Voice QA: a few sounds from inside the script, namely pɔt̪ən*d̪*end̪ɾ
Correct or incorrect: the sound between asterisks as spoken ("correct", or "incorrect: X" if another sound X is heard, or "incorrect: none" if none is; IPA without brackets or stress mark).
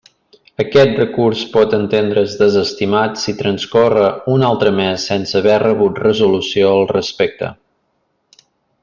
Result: incorrect: t̪